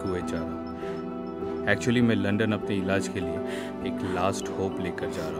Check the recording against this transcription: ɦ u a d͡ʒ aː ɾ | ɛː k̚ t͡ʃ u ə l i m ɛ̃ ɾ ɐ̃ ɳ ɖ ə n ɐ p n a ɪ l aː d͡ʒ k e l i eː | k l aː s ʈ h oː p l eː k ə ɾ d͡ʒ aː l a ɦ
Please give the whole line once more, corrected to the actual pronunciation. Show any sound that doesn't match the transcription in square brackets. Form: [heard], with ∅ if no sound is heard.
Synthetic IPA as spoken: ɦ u [e] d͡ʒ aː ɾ | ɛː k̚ t͡ʃ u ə l i m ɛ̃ [l] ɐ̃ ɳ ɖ ə n ɐ p n [e] ɪ l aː d͡ʒ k e l i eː | k l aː s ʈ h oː p l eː k ə ɾ d͡ʒ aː [ɾ] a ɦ